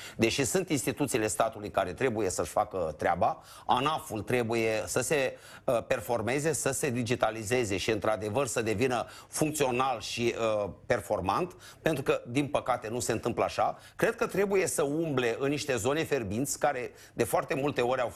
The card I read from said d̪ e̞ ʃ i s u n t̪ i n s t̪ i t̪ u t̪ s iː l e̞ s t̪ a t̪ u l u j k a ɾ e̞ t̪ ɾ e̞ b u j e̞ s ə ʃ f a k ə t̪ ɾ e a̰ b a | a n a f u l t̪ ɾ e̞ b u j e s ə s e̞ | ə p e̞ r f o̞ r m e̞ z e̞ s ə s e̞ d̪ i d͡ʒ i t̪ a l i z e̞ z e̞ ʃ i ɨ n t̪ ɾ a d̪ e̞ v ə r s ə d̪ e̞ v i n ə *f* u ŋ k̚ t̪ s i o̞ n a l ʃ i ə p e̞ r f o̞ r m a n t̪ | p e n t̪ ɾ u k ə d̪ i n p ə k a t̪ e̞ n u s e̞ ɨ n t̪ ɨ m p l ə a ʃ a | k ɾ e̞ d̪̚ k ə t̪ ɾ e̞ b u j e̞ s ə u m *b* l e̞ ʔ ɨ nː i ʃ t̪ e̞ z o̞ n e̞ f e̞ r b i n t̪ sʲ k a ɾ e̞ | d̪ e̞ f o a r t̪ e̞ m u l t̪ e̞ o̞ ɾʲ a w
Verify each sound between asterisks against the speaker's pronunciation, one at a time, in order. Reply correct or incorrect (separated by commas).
correct, correct